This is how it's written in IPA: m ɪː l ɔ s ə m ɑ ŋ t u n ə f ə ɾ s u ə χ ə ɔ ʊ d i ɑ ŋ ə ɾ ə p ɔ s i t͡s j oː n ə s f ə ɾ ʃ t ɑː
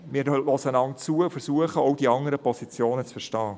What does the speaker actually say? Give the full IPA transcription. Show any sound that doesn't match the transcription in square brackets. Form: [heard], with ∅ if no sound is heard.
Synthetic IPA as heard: m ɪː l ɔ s ə [n] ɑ ŋ [t͡s] u [∅] ə f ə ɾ s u ə χ ə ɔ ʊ d i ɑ ŋ ə ɾ ə p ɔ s i t͡s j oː n ə [t͡s] f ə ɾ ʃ t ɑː